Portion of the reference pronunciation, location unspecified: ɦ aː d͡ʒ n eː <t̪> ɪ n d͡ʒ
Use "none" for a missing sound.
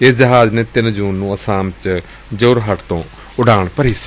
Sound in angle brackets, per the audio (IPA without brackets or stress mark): t̪